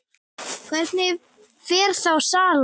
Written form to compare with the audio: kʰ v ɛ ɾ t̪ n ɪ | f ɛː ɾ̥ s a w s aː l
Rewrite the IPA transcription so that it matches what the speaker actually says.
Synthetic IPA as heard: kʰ v ɛ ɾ t̪ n ɪ | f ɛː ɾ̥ θ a w s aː l

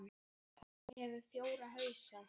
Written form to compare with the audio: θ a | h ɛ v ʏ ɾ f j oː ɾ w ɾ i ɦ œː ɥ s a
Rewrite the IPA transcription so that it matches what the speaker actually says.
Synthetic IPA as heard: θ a | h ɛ v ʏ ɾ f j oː w ɾ a ɦ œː ɥ s a

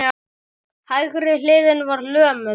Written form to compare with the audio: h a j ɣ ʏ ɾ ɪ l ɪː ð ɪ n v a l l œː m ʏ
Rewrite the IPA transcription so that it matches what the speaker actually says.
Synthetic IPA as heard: h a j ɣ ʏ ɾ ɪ l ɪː ð ɪ n v a ɾ l œː m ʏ

